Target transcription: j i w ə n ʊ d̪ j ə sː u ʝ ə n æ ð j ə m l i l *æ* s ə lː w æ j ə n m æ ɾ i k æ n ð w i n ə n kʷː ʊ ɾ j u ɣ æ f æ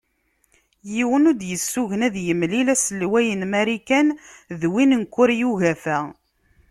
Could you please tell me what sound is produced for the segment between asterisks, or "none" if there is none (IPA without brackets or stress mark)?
æ